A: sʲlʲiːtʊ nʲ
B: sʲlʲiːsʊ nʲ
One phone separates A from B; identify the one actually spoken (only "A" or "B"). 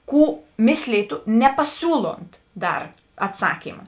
A